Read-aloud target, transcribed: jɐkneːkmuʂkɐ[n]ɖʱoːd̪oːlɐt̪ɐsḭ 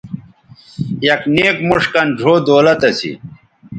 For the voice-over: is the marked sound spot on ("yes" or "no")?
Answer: yes